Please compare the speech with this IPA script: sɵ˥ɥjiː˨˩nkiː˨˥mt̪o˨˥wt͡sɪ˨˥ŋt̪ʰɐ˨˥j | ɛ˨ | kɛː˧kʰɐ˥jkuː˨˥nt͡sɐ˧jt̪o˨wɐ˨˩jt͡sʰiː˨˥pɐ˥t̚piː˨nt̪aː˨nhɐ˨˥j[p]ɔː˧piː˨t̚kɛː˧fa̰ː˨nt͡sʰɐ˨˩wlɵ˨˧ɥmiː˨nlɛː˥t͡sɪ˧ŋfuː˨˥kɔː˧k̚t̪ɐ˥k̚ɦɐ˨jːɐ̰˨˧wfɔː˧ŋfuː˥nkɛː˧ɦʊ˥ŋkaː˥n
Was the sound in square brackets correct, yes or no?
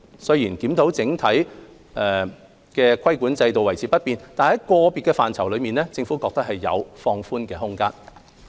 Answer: no